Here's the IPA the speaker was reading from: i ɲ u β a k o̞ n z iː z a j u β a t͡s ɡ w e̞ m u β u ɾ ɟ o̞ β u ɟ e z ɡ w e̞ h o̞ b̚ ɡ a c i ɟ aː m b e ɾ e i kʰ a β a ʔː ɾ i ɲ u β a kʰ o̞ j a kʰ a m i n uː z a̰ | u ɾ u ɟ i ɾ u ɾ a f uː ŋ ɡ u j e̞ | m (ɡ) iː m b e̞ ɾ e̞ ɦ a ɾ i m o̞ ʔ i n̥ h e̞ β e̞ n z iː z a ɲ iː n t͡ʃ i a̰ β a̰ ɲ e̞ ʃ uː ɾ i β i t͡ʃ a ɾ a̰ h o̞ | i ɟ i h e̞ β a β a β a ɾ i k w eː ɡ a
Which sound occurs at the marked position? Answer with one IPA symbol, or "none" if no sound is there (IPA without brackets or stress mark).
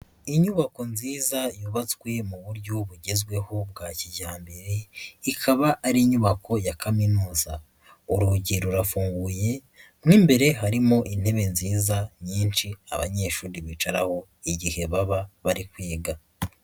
ŋ